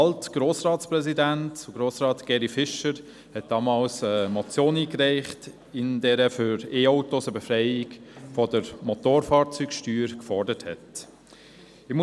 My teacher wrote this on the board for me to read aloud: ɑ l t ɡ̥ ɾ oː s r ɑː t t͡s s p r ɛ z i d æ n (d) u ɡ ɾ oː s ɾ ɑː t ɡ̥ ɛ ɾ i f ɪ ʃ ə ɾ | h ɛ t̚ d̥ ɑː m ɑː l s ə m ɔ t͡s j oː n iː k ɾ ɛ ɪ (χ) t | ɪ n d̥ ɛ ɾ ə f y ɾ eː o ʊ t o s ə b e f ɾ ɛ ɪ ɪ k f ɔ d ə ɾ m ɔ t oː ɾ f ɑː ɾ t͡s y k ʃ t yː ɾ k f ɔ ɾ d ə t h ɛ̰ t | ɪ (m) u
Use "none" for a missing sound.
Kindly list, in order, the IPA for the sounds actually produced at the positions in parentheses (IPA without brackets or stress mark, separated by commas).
t, χ, m